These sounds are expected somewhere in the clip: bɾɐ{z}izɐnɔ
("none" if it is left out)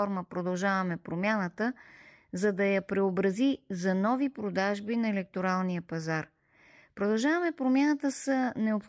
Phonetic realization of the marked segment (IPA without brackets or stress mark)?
z